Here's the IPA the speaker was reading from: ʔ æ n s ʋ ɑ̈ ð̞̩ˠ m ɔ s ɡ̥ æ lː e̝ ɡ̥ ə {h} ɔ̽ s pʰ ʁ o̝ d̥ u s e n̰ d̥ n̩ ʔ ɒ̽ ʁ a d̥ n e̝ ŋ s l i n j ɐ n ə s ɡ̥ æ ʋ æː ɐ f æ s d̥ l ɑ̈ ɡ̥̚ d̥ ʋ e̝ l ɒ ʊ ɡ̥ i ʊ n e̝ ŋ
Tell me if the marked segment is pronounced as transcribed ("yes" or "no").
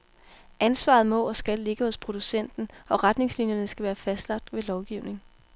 yes